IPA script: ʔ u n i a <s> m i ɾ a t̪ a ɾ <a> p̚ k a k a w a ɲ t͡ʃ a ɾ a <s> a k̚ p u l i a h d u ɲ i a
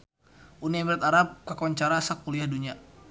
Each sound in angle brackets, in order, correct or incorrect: incorrect, correct, correct

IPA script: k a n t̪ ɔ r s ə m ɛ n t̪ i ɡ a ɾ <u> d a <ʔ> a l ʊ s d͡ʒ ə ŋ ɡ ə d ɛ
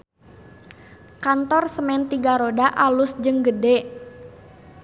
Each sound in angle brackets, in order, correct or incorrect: incorrect, correct

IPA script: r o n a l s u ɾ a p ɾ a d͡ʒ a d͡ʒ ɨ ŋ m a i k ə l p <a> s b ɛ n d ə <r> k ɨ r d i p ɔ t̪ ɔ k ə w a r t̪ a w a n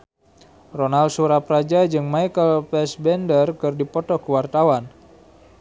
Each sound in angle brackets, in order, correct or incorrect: incorrect, correct

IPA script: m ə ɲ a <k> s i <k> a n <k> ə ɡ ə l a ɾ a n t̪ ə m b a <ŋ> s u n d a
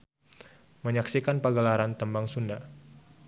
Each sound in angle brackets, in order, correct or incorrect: correct, correct, incorrect, correct

